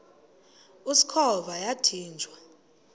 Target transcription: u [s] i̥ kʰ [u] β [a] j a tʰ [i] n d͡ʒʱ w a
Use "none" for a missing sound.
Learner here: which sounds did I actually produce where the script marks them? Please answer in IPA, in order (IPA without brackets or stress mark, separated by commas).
s, ɔ, a, iː